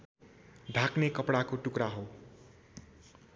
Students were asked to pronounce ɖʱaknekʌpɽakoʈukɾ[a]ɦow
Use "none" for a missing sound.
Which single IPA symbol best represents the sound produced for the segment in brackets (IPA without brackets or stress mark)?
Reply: a